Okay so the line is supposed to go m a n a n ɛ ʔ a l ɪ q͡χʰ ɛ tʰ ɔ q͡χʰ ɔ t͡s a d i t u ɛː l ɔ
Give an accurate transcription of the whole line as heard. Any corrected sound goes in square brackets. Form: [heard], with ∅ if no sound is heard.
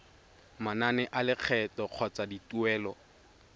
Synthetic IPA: m a n a n ɛ ʔ a l ɪ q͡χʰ ɛ [t] ɔ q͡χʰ ɔ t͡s a d i t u ɛː l ɔ